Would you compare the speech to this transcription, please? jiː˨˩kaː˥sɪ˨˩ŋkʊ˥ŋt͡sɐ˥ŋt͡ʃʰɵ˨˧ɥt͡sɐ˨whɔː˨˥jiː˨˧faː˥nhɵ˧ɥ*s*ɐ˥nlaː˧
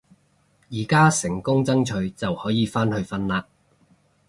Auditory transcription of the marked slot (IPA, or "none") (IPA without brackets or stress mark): f